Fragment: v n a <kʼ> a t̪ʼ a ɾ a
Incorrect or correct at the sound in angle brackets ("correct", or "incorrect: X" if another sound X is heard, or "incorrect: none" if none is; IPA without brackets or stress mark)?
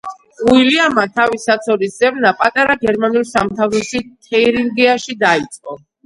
incorrect: pʼ